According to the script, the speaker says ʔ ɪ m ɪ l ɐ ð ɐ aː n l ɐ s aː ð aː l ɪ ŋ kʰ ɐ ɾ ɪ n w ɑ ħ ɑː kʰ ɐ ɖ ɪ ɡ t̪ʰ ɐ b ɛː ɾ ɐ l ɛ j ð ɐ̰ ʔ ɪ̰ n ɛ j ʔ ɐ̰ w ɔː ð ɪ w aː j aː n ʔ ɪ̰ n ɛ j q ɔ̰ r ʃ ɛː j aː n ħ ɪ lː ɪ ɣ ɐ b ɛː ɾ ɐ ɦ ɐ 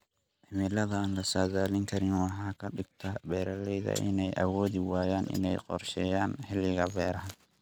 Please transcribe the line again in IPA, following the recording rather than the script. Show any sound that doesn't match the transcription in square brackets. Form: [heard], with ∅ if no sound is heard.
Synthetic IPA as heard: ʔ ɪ m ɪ l ɐ ð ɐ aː n l ɐ s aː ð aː l ɪ ŋ kʰ ɐ ɾ ɪ n w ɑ ħ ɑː kʰ ɐ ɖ ɪ ɡ t̪ʰ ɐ b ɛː ɾ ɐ l ɛ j ð ɐ̰ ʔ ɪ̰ n ɛ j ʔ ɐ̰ w ɔː ð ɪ w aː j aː n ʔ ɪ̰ n ɛ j q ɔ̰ r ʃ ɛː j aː n ħ ɪ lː ɪ ɣ ɐ b ɛː ɾ ɐ ɦ ɐ